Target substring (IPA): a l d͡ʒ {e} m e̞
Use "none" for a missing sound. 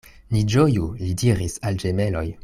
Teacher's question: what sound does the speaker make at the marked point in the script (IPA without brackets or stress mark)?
e